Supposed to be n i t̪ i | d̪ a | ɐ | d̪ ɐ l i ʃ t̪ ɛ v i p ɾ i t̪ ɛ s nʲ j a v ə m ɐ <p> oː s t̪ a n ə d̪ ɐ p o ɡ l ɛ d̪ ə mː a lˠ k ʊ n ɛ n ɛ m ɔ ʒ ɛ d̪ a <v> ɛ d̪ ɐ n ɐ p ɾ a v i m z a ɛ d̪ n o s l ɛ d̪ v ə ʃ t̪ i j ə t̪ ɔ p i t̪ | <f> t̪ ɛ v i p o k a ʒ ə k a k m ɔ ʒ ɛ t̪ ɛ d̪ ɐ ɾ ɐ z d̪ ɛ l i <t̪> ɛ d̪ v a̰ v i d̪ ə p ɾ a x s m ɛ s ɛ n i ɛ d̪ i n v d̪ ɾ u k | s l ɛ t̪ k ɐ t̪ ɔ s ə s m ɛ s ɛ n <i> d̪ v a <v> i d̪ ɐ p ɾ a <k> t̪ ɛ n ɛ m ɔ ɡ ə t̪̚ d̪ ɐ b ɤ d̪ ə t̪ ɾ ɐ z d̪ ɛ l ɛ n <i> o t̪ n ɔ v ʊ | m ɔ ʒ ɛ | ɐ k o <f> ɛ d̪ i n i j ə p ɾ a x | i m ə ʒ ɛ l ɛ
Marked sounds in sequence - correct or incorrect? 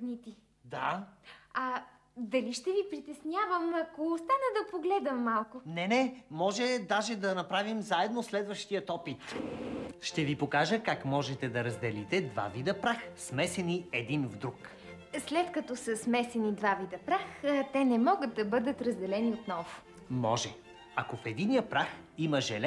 incorrect, incorrect, incorrect, correct, correct, correct, incorrect, correct, correct

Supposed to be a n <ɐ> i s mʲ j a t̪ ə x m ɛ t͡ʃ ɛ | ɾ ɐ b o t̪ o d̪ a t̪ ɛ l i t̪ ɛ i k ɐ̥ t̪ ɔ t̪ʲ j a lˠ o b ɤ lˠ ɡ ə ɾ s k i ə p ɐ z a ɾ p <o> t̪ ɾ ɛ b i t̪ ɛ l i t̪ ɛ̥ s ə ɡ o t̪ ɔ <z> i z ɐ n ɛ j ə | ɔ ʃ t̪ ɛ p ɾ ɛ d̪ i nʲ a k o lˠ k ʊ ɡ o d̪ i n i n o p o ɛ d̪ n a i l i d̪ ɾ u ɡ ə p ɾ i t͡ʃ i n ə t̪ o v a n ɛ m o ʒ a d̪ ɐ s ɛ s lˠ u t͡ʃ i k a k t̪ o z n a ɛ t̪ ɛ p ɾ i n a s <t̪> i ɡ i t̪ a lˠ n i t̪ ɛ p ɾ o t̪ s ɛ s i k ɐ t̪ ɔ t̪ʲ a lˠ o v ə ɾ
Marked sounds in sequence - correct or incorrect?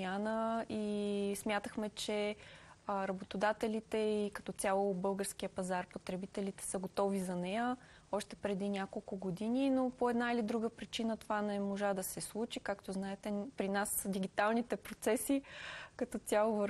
incorrect, correct, incorrect, incorrect

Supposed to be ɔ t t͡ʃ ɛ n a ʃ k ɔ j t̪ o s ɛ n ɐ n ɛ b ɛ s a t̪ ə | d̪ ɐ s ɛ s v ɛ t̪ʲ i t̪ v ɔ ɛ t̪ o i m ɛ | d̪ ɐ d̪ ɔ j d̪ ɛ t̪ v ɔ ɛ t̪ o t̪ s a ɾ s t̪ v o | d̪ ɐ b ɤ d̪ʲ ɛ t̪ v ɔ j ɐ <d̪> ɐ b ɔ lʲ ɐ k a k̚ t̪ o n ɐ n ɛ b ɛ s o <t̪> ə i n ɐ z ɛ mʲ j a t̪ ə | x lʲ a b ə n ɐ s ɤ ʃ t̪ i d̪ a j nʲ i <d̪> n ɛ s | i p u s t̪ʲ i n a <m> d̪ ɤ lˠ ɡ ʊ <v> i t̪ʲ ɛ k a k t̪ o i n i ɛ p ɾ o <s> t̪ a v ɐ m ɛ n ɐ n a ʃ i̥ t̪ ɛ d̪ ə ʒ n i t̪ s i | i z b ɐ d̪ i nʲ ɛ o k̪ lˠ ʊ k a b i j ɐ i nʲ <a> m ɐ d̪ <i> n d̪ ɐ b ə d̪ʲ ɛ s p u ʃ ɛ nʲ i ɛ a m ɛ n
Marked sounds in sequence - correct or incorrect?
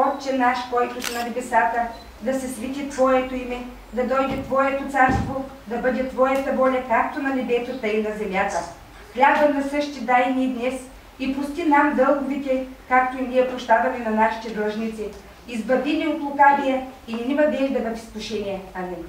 incorrect, correct, correct, correct, correct, incorrect, incorrect, incorrect

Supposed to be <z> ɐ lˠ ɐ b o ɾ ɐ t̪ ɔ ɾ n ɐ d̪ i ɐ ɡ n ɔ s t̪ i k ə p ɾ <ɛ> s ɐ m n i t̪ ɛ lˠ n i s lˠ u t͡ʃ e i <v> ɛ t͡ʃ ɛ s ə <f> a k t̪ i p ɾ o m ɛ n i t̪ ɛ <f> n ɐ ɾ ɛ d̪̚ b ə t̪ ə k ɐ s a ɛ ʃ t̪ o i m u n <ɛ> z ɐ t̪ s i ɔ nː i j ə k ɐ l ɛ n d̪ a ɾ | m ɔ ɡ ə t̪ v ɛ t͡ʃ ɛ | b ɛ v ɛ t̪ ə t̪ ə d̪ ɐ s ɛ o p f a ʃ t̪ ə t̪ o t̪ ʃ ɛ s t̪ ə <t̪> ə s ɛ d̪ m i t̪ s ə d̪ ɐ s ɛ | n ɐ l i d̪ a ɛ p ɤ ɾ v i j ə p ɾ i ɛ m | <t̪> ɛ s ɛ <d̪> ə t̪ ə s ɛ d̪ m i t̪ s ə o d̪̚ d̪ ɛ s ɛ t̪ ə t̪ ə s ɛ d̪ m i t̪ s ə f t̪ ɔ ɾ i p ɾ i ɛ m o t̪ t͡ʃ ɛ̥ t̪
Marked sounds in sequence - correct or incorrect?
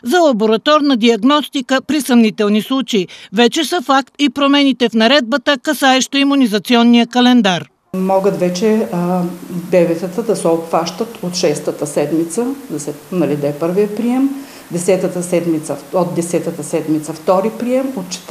correct, incorrect, correct, correct, correct, incorrect, correct, incorrect, incorrect

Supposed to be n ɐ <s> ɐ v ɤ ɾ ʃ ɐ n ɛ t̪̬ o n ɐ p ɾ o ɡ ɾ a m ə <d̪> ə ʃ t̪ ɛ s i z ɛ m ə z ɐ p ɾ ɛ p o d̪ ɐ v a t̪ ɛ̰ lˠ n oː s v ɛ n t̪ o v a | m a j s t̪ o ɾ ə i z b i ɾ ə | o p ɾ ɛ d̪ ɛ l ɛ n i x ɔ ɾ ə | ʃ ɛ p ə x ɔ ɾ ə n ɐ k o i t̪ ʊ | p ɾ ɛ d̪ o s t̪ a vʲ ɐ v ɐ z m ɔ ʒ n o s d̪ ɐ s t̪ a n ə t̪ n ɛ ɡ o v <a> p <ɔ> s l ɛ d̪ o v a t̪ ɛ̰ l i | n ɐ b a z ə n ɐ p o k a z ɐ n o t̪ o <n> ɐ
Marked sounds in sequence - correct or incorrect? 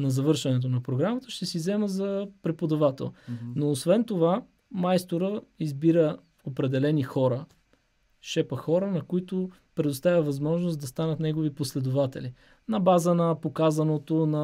incorrect, incorrect, incorrect, incorrect, correct

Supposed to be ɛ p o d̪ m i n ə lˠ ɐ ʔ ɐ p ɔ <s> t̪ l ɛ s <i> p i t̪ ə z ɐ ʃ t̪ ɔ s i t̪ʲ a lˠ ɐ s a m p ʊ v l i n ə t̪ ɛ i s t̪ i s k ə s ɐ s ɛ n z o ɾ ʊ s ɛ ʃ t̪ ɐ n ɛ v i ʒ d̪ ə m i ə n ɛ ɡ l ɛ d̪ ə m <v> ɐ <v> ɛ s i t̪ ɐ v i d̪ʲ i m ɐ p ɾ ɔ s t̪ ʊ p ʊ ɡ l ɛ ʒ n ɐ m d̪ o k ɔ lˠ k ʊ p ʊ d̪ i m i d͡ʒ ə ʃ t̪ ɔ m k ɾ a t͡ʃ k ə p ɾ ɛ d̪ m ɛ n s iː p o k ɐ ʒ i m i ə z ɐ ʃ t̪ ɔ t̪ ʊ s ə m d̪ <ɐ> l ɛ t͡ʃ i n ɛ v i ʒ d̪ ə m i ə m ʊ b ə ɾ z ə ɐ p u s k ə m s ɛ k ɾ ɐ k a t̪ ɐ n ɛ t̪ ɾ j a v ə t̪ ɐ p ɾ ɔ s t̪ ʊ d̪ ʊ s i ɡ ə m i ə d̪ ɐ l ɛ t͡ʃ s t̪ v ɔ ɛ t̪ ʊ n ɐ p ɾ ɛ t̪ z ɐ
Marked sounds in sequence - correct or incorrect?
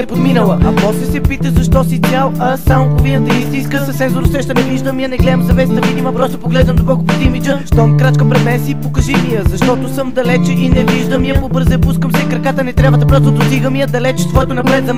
correct, incorrect, incorrect, correct, correct

